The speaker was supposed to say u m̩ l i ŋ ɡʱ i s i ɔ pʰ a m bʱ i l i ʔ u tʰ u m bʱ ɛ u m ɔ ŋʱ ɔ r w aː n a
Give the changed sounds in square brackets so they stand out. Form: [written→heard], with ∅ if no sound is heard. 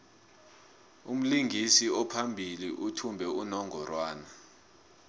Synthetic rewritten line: u m̩ l i ŋ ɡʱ i s i ɔ pʰ a m bʱ i l i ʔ u tʰ u m bʱ ɛ u [m→n] ɔ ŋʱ ɔ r w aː n a